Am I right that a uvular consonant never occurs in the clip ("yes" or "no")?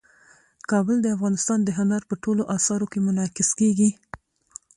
yes